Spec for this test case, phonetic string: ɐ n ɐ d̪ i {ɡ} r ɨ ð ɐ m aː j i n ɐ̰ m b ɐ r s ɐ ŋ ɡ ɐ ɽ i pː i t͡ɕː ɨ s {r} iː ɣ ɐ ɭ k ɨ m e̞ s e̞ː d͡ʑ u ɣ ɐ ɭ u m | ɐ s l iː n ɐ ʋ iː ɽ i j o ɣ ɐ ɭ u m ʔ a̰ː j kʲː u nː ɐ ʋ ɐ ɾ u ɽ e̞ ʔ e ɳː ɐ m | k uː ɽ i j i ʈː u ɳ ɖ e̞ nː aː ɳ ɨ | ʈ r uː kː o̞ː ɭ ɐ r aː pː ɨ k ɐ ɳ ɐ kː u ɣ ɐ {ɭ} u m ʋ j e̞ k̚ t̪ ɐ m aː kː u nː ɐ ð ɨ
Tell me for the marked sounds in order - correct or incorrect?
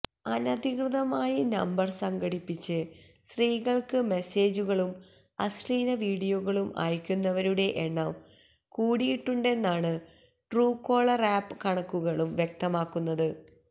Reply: incorrect: k, correct, correct

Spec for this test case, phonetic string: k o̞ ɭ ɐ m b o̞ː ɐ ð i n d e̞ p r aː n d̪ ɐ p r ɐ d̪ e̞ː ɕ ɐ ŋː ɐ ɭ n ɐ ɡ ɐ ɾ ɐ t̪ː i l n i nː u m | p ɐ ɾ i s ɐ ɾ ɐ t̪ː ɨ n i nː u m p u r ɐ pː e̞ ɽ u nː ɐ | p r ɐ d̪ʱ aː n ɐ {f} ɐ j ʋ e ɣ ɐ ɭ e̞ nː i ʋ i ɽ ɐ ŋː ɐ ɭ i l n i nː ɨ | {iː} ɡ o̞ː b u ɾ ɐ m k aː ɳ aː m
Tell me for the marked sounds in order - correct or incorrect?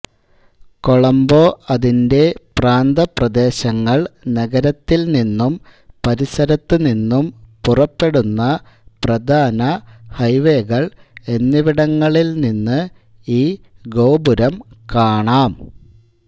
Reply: incorrect: h, correct

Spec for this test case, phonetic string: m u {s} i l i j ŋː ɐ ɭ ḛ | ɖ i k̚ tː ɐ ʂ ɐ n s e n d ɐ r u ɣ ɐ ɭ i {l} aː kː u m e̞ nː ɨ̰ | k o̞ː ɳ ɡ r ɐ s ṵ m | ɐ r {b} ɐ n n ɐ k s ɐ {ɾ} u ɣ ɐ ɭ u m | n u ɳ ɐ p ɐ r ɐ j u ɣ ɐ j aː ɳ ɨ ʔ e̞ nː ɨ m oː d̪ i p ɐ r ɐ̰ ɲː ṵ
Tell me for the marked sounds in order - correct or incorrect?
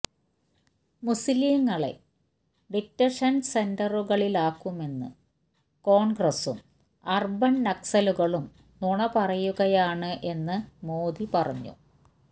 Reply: correct, correct, correct, incorrect: l

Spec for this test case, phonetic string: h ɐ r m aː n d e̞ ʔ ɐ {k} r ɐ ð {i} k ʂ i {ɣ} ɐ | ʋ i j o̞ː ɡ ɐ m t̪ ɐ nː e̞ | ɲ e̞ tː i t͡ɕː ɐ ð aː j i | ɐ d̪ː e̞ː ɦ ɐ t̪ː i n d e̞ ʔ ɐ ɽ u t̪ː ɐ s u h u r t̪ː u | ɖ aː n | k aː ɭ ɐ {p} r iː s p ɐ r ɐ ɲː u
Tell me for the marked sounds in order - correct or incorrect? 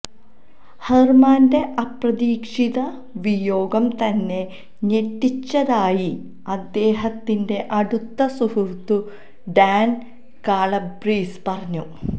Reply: incorrect: p, incorrect: iː, incorrect: ð, incorrect: b

